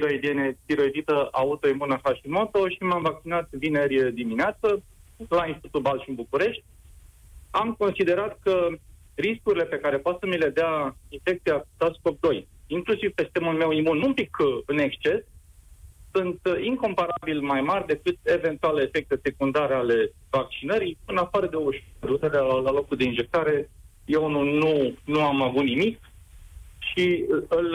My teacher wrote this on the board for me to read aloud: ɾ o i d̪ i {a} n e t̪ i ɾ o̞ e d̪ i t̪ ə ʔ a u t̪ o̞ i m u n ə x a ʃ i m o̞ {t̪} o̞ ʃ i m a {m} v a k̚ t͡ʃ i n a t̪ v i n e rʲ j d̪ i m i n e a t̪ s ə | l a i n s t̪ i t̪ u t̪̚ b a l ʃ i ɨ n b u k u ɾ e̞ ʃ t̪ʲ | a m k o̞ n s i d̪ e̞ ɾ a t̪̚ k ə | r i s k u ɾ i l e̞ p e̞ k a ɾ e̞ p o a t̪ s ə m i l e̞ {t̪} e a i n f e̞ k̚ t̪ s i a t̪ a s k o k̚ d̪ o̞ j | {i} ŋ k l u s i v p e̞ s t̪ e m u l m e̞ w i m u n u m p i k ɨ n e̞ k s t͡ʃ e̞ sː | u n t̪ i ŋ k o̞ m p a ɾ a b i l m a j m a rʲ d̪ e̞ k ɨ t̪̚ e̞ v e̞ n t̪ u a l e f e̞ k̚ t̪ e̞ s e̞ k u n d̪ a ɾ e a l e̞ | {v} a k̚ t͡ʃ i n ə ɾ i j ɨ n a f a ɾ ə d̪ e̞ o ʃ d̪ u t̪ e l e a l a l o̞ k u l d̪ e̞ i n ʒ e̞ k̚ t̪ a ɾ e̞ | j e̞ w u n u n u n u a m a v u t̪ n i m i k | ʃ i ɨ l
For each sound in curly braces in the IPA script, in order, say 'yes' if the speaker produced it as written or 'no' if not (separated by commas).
no, yes, yes, no, yes, yes